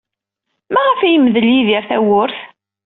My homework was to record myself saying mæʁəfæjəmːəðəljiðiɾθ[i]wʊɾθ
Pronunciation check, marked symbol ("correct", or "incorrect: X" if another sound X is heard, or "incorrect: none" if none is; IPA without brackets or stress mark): incorrect: æ